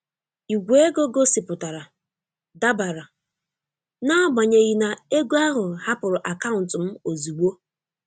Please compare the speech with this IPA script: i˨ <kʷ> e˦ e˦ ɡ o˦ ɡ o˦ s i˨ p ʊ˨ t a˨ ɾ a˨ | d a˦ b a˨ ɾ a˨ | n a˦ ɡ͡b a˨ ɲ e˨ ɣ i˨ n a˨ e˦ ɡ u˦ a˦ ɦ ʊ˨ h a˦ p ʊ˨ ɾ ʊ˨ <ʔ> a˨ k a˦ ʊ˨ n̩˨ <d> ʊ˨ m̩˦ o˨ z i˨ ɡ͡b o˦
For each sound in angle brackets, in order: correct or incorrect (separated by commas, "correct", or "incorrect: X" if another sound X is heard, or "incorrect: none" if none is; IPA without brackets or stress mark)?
incorrect: ɡʷ, correct, incorrect: t